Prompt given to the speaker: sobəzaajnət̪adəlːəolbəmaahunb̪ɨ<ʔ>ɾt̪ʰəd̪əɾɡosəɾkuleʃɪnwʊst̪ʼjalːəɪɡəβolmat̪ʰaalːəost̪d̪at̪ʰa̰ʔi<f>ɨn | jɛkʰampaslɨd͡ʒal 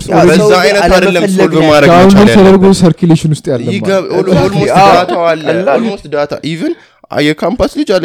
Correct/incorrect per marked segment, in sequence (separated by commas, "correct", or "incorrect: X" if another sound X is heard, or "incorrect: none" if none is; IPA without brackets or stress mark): incorrect: none, incorrect: v